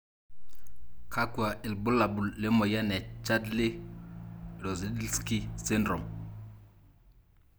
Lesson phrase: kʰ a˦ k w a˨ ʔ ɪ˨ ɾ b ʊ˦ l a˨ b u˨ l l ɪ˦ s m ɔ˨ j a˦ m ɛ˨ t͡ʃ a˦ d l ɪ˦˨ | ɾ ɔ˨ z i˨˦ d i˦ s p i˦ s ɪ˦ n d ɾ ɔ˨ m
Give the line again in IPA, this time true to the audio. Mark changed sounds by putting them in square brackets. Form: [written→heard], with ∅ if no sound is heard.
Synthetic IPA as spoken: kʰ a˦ k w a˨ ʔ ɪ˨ [ɾ→l] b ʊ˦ l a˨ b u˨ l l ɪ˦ [s→∅] m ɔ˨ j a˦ [m→n] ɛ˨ t͡ʃ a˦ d l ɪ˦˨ | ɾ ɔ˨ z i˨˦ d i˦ s [p→k] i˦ s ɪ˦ n d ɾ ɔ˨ m